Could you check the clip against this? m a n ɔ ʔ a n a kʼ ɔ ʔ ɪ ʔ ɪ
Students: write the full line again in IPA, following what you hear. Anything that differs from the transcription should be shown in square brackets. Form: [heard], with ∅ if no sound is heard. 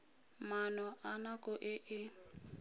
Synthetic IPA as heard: m a n ɔ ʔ a n a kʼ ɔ ʔ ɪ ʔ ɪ